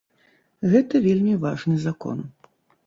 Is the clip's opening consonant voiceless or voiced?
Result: voiced